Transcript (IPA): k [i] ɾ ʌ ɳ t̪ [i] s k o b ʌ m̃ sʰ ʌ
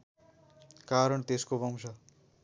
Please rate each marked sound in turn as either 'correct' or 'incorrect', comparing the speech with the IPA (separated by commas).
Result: incorrect, incorrect